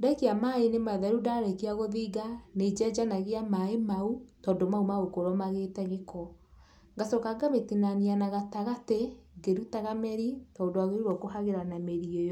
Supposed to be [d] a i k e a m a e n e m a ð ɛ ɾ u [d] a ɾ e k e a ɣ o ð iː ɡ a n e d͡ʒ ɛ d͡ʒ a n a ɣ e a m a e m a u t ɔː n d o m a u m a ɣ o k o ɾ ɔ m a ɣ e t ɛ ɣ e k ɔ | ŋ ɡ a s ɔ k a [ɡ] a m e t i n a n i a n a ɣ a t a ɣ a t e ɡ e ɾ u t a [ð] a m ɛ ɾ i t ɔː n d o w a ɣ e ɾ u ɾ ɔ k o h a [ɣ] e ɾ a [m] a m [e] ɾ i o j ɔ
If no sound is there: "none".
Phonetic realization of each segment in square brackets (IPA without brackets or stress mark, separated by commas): d, d, ɡ, ɣ, ɣ, n, e